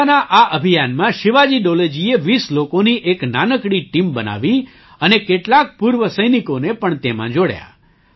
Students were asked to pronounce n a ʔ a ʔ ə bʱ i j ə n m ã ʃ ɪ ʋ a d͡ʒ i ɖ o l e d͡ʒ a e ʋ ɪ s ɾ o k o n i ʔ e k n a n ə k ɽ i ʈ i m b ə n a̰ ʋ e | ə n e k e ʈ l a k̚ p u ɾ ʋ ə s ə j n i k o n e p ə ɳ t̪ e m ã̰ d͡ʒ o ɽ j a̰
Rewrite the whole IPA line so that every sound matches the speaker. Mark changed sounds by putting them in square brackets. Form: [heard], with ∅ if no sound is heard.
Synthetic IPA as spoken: n a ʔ a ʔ ə bʱ i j [a] n m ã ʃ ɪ ʋ a d͡ʒ i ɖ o l e d͡ʒ [i] e ʋ [i] s [l] o k o n i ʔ e k n a n ə k ɽ i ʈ i m b ə n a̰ ʋ [i] | ə n e k e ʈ l a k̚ p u ɾ ʋ ə s ə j n i k o n e p ə ɳ t̪ e m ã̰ d͡ʒ o ɽ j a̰